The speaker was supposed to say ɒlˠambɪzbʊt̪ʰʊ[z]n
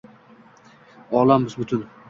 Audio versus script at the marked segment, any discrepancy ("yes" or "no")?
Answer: yes